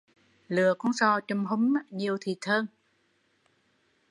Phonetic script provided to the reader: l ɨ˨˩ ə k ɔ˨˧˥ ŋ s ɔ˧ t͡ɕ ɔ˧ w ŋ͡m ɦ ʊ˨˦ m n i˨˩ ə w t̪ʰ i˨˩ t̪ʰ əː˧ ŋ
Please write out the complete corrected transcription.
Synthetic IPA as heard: l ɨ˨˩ ə k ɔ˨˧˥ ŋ s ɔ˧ t͡ɕ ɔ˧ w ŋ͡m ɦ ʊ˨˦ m ɲ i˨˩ ə w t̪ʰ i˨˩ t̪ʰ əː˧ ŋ

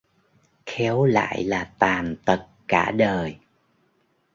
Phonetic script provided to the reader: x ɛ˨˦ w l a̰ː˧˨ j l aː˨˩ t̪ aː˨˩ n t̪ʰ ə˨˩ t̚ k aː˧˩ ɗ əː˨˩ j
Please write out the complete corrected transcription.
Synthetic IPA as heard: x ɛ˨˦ w l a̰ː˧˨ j l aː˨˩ t̪ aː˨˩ n t̪ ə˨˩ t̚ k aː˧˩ ɗ əː˨˩ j

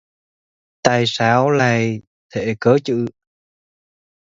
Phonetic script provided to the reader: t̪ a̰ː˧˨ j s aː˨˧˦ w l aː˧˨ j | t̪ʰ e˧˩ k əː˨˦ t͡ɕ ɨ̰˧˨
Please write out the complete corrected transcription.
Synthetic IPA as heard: t̪ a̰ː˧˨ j s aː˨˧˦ w l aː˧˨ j | t̪ʰ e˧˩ k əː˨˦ t͡ɕ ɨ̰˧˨

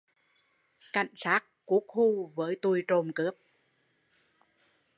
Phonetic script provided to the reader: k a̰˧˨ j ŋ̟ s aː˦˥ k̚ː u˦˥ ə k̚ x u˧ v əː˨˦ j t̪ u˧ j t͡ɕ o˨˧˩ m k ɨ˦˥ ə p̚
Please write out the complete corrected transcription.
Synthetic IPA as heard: k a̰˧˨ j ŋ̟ s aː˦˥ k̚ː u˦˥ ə k̚ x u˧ v əː˨˦ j t̪ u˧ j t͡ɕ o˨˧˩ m k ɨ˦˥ ə p̚

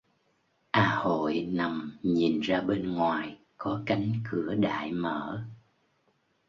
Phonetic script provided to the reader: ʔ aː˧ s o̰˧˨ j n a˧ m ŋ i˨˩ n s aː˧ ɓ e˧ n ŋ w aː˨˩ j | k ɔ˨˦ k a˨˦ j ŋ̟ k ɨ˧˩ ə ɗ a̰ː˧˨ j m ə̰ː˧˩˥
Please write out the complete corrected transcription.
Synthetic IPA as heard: ʔ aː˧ h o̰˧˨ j n a˨˩ m ɲ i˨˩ n z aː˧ ɓ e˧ n ŋ w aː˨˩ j | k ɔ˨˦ k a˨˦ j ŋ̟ k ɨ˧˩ ə ɗ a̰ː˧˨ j m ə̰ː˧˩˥

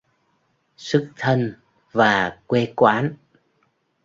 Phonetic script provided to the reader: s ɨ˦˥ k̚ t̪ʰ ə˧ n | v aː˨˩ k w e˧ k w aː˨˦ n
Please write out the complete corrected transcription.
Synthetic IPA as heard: s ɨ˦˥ k̚ t̪ʰ ə˧ n | v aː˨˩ k w e˧ k w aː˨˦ n

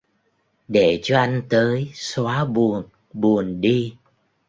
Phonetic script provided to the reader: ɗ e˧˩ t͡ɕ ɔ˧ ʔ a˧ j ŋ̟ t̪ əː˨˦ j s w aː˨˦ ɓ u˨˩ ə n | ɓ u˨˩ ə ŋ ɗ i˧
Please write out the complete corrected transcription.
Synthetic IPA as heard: ɗ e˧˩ t͡ɕ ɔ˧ ʔ a˧ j ŋ̟ t̪ əː˨˦ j s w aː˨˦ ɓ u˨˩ ə n | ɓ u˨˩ ə n ɗ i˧

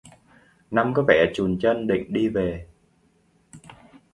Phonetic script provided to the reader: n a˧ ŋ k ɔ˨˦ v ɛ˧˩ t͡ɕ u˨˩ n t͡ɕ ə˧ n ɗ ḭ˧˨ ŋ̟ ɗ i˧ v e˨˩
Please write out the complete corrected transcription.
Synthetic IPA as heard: n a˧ m k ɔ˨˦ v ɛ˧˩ t͡ɕ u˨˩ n t͡ɕ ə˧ n ɗ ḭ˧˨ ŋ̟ ɗ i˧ v e˨˩

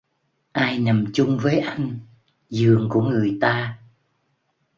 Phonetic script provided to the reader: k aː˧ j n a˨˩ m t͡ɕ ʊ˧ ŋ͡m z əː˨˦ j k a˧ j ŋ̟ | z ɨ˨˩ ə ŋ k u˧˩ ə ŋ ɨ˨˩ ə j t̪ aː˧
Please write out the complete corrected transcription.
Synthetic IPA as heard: ʔ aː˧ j n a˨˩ m t͡ɕ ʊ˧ ŋ͡m v əː˨˦ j ʔ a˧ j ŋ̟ | z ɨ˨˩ ə ŋ k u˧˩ ə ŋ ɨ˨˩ ə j t̪ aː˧

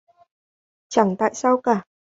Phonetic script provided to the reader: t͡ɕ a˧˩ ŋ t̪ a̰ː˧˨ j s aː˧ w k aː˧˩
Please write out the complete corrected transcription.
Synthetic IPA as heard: t͡ɕ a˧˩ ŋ t̪ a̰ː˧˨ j s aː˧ w k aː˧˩

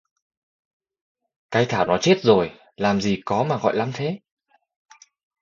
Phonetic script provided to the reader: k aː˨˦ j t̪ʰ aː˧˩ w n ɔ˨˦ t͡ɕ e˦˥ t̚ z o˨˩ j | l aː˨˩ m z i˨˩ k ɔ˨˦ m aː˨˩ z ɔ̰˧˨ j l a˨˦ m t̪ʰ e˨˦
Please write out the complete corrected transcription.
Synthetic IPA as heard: k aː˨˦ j t̪ʰ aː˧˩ w n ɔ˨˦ t͡ɕ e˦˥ t̚ z o˨˩ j | l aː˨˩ m z i˨˩ k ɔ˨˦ m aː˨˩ ɣ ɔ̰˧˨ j l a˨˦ m t̪ʰ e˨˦

